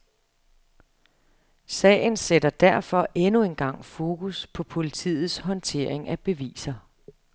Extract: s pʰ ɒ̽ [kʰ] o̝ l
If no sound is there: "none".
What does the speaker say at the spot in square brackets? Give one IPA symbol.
pʰ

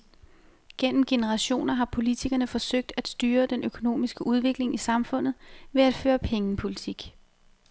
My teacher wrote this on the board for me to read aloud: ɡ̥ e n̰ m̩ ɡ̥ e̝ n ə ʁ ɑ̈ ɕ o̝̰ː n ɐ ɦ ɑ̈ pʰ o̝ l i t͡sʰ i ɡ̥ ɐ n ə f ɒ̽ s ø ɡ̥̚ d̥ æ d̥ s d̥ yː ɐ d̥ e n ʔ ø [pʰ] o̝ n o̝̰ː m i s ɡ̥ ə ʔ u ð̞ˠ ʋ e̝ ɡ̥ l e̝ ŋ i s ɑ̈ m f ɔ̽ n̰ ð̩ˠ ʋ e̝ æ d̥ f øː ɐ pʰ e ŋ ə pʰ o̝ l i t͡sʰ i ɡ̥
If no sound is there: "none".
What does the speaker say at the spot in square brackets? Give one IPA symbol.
kʰ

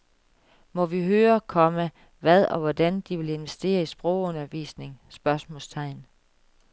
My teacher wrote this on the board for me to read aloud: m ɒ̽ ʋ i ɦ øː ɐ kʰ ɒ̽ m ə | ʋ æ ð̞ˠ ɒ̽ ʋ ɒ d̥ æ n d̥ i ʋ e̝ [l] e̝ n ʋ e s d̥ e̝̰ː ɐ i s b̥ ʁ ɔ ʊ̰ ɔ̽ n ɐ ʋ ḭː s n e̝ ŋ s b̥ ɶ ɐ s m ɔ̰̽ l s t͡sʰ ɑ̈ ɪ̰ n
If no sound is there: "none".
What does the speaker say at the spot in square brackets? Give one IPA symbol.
l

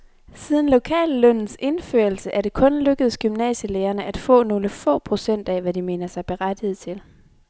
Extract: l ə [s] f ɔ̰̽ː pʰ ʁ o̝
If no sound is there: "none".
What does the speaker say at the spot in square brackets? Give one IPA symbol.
none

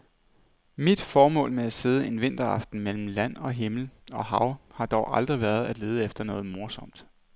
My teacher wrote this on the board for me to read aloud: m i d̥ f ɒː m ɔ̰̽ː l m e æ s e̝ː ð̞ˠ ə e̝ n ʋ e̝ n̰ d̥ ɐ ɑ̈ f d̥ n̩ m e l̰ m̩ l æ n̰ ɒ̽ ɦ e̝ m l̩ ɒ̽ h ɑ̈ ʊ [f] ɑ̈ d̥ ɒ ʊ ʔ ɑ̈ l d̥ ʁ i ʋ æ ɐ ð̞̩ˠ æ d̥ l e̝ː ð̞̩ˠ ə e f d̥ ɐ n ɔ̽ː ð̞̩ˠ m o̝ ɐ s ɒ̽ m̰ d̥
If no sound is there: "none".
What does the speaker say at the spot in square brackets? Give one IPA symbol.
h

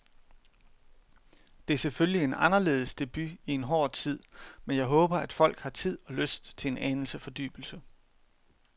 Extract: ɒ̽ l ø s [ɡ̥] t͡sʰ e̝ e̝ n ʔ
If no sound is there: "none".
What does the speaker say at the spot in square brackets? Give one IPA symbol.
d̥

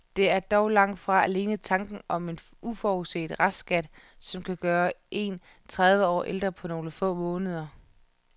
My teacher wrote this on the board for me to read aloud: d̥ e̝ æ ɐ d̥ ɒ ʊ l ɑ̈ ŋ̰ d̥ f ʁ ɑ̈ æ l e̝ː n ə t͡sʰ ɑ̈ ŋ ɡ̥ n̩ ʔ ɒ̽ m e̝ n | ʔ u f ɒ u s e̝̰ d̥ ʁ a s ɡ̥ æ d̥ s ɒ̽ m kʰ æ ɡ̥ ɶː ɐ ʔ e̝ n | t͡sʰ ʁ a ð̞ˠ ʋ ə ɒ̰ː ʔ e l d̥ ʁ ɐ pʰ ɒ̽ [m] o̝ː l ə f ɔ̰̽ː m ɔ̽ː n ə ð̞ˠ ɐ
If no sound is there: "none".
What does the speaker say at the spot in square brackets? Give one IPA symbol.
n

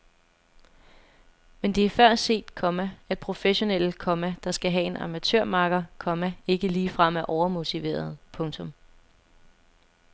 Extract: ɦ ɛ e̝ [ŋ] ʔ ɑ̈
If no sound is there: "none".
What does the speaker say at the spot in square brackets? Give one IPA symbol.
n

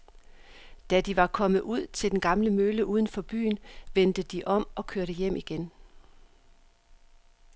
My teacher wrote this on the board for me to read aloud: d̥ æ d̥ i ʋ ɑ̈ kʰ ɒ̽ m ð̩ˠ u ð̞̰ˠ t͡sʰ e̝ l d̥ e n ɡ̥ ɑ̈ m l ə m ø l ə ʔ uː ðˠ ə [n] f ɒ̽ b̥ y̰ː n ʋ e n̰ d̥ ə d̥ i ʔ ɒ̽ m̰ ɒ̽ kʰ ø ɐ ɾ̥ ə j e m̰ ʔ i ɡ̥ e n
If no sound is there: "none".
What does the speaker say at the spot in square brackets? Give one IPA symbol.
n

